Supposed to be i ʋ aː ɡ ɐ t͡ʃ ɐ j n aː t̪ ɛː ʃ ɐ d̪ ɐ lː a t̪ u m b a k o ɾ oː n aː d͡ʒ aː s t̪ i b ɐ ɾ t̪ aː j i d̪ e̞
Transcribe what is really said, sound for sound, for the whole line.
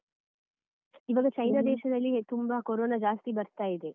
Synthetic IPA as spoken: i ʋ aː ɡ ɐ t͡ʃ ɐ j n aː d̪ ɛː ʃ ɐ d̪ ɐ lː i t̪ u m b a k o ɾ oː n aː d͡ʒ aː s t̪ i b ɐ ɾ t̪ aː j i d̪ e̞